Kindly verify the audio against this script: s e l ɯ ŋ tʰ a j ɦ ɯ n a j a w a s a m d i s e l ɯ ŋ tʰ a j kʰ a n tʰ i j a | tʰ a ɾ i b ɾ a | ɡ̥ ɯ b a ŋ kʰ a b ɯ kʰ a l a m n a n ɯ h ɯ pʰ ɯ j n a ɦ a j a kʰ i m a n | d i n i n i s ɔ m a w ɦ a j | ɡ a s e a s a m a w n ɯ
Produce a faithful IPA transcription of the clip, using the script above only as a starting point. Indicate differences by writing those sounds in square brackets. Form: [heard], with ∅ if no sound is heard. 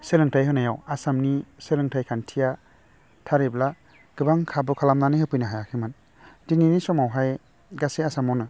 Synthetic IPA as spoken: s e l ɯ ŋ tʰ a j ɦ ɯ n a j a w a s a m [n] i s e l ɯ ŋ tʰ a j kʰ a n tʰ i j a | tʰ a ɾ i b [l] a | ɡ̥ ɯ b a ŋ kʰ a b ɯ kʰ a l a m n a n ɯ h ɯ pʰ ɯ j n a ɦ a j a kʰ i m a n | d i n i n i s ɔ m a w ɦ a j | ɡ a s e a s a m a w n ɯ